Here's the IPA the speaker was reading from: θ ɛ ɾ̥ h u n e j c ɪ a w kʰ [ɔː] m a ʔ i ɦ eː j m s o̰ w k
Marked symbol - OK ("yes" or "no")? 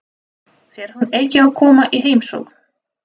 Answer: yes